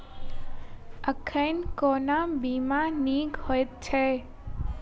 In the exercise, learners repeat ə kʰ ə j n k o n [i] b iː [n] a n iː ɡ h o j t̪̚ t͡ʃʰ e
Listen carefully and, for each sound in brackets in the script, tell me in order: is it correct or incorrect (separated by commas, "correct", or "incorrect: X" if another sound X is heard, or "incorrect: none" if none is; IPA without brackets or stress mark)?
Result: incorrect: a, incorrect: m